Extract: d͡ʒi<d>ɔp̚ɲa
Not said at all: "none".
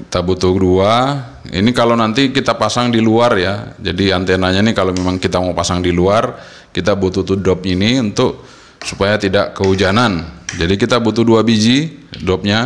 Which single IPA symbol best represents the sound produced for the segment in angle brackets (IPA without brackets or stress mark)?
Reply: d